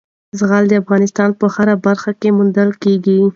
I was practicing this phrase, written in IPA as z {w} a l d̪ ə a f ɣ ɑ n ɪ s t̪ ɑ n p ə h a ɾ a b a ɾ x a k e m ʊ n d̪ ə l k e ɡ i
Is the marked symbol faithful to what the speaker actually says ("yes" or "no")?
no